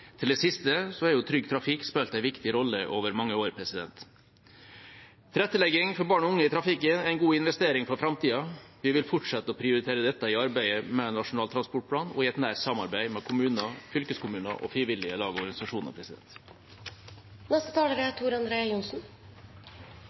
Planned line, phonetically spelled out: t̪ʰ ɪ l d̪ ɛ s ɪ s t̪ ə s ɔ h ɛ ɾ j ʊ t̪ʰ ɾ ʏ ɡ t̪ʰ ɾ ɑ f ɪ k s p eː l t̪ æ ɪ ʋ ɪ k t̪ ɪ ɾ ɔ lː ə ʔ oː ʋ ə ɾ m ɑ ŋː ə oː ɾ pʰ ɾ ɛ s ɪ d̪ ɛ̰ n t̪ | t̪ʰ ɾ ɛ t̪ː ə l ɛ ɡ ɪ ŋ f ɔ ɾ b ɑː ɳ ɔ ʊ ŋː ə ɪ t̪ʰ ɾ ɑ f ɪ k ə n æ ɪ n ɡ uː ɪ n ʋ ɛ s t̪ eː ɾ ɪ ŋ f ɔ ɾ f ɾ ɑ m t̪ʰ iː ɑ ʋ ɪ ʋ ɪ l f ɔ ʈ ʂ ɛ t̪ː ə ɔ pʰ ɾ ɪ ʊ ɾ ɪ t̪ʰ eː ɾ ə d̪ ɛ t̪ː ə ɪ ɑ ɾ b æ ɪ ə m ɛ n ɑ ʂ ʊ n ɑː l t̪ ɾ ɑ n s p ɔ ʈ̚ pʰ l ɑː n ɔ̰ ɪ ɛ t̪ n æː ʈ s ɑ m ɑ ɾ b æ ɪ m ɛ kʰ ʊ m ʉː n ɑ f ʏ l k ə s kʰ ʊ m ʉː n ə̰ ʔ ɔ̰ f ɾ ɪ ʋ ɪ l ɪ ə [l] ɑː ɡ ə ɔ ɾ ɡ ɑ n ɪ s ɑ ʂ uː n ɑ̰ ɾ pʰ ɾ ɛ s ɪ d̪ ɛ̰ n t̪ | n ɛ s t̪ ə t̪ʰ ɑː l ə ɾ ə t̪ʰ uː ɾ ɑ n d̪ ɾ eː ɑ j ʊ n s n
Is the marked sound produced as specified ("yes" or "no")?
yes